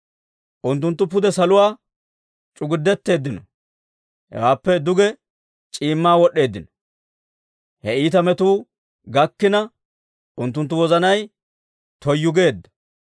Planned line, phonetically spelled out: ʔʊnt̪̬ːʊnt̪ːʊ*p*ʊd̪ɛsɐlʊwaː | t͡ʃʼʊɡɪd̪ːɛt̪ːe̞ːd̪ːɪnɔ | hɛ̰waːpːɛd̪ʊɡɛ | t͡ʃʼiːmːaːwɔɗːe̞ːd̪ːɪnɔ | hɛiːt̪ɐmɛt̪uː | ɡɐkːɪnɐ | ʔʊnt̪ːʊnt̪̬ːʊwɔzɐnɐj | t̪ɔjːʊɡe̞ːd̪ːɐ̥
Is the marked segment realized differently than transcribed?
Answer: no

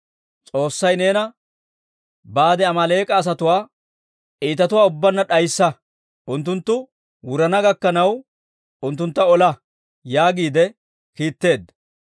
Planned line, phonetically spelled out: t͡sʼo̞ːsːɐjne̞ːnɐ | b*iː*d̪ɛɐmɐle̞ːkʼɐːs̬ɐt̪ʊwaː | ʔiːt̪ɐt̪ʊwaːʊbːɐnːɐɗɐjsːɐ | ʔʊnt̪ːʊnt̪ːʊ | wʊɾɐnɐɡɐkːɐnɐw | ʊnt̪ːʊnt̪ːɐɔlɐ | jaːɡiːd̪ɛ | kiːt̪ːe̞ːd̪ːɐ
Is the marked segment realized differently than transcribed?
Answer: yes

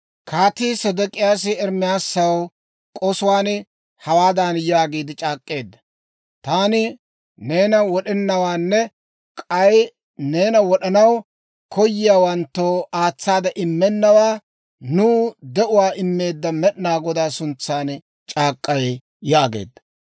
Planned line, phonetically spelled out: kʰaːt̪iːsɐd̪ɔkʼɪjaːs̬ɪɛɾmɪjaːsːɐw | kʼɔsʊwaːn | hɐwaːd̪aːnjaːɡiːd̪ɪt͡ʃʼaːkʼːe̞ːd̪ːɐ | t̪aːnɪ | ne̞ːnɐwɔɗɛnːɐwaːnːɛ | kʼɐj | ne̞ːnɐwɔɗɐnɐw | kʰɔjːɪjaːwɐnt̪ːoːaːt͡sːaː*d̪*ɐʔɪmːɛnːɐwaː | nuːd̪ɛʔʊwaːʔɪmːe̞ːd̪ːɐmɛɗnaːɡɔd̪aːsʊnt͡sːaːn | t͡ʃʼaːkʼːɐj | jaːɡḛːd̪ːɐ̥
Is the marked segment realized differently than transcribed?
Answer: no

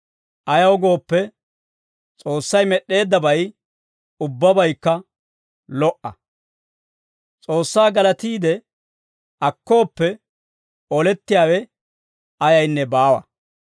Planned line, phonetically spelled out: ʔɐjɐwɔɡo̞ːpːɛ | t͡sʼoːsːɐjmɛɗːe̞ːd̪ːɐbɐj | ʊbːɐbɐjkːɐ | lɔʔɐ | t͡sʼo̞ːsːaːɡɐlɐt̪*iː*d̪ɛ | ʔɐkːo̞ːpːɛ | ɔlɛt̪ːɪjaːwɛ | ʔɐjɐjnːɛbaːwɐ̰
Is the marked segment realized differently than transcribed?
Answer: no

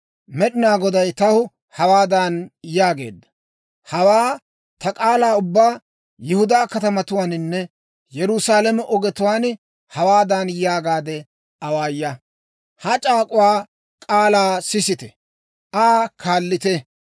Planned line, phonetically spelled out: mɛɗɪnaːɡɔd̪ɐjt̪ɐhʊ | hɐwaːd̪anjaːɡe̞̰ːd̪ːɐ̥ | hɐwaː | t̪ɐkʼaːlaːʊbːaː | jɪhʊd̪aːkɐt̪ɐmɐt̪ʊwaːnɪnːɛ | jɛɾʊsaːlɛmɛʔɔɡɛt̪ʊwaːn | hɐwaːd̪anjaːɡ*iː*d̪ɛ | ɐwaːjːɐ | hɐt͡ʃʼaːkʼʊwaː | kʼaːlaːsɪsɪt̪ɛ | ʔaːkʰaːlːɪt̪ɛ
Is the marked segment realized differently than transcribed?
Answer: yes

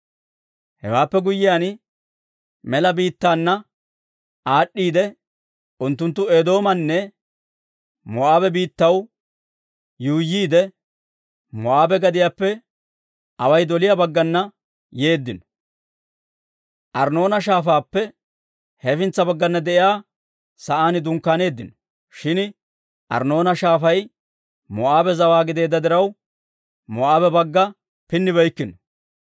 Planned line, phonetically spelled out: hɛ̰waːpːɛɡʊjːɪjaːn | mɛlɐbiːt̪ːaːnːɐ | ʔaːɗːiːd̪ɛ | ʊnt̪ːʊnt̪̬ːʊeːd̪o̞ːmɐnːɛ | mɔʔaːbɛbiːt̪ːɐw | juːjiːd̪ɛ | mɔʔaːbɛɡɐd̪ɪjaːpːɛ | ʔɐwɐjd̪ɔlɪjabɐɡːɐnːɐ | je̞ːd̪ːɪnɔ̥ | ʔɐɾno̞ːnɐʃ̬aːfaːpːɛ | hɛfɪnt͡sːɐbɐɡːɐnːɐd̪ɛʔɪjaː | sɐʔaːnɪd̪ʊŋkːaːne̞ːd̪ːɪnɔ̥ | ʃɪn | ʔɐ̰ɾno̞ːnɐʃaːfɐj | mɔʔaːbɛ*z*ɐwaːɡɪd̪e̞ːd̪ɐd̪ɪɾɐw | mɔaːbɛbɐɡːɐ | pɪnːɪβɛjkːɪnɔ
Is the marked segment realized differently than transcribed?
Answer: no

